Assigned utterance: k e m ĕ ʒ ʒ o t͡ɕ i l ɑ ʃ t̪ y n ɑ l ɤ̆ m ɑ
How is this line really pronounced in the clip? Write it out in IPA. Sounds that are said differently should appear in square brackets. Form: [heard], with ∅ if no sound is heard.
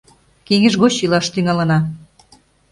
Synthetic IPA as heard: k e [ŋ] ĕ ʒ [ɣ] o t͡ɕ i l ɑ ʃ t̪ y [ŋ] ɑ l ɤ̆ [n] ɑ